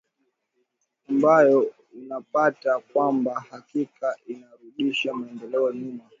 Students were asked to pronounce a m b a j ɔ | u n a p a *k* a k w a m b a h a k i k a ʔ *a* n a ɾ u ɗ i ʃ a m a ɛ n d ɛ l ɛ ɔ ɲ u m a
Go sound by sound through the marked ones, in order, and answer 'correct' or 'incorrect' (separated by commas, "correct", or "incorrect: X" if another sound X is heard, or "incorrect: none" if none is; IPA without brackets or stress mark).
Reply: incorrect: t, incorrect: i